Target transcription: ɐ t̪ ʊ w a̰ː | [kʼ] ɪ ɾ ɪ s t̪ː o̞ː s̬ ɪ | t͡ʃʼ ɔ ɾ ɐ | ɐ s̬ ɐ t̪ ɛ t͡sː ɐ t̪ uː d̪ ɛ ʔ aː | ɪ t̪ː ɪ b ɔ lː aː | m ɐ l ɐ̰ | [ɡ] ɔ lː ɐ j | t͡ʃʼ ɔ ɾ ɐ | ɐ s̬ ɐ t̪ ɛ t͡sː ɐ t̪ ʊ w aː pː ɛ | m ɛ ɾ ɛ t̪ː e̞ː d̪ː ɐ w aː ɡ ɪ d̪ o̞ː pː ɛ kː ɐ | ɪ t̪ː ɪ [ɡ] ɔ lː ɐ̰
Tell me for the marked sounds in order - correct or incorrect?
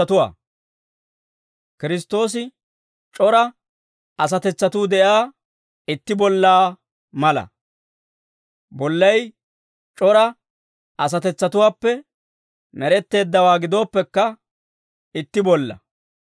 incorrect, incorrect, incorrect

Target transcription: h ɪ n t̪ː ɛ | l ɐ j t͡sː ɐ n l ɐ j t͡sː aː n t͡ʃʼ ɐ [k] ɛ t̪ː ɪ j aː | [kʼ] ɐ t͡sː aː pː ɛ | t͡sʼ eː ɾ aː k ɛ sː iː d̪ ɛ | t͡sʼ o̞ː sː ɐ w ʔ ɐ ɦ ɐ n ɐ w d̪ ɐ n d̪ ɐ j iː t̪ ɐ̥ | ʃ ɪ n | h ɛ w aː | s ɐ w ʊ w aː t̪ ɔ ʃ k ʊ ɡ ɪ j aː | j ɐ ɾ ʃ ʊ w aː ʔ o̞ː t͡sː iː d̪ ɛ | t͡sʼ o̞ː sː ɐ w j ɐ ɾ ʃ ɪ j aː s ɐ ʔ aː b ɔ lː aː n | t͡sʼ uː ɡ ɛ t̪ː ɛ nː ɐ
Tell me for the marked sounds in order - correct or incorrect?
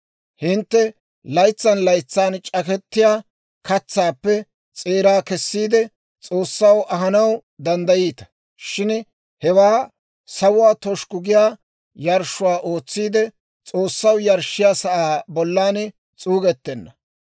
correct, incorrect

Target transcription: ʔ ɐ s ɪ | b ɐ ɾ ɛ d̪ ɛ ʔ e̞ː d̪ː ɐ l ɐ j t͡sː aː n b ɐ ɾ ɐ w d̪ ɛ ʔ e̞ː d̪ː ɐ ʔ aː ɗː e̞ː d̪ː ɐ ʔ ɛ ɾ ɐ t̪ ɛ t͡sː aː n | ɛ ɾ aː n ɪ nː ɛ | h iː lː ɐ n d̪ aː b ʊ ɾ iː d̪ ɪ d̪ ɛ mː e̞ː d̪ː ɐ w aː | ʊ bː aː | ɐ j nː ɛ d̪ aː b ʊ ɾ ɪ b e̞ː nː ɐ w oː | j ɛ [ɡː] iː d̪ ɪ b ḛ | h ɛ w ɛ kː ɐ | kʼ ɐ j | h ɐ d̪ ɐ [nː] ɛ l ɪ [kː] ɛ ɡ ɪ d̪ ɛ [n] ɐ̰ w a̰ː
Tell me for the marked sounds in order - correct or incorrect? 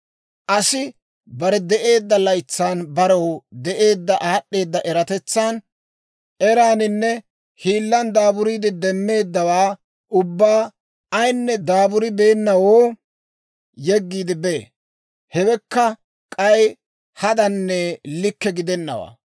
correct, correct, correct, incorrect

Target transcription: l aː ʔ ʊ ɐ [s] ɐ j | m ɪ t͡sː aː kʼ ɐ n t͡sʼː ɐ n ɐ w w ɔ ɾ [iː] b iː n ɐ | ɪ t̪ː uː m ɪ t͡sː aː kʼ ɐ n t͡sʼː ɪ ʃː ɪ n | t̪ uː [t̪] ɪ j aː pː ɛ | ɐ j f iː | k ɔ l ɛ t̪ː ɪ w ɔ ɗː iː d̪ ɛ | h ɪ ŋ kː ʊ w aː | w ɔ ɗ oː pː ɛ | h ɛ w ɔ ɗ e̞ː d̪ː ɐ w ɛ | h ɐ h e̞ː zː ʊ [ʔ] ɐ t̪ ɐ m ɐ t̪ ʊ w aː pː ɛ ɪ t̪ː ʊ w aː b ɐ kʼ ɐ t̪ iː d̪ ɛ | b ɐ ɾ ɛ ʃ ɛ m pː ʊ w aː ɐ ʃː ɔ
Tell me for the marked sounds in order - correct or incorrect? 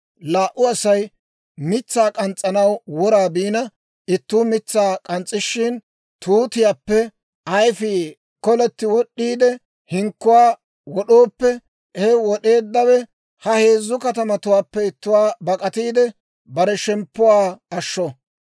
correct, incorrect, correct, incorrect

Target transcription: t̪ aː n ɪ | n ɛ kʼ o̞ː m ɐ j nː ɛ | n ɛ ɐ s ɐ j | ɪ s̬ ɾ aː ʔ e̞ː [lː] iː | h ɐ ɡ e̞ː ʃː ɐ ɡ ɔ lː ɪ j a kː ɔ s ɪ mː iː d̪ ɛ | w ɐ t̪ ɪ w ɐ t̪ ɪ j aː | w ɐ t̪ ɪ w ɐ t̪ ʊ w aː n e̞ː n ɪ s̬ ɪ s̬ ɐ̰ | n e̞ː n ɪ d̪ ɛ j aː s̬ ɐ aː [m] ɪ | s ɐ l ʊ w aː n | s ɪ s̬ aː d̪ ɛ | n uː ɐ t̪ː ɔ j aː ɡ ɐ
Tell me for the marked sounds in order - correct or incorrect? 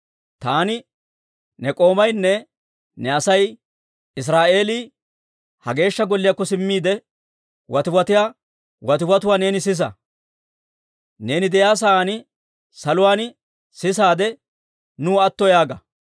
incorrect, incorrect

